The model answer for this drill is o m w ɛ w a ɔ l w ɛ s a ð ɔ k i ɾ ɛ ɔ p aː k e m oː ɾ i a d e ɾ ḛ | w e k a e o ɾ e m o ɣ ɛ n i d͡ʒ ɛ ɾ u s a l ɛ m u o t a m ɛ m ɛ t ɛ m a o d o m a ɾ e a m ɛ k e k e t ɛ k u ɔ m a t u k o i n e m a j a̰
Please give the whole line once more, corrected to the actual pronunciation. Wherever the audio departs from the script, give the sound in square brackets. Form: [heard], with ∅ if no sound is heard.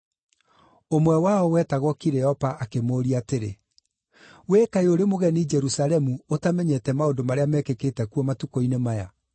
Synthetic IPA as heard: o m w ɛ w a ɔ [∅] w ɛ [t] a [ɣ] ɔ k i ɾ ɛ ɔ p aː k e m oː ɾ i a [t] e ɾ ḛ | w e k a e o ɾ e m o ɣ ɛ n i d͡ʒ ɛ ɾ u s a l ɛ m u o t a m ɛ [ɲ] ɛ t ɛ m a o d o m a ɾ e a m ɛ k e k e t ɛ k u ɔ m a t u k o i n e m a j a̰